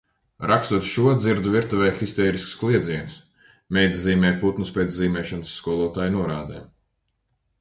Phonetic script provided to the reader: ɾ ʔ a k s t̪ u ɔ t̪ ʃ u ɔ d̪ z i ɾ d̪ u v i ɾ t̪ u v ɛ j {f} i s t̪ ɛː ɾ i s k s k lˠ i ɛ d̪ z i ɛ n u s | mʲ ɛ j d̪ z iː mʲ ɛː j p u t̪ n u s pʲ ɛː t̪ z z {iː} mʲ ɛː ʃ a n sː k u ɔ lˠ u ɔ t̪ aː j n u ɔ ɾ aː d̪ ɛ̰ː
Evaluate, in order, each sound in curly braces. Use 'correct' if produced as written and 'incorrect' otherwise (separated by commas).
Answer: incorrect, correct